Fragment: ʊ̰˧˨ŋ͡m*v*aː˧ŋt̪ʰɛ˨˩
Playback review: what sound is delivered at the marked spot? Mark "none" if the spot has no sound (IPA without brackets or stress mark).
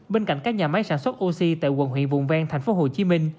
v